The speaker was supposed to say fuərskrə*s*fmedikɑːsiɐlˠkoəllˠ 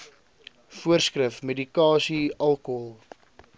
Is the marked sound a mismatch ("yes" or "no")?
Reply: yes